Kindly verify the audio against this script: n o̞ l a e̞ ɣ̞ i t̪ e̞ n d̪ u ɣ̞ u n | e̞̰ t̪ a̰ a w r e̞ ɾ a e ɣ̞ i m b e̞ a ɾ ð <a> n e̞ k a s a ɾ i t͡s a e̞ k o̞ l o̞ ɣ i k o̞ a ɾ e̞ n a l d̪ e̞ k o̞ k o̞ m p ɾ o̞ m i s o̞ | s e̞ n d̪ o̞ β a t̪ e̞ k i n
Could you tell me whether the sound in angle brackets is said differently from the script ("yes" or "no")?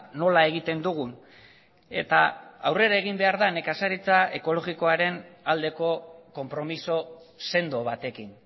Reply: no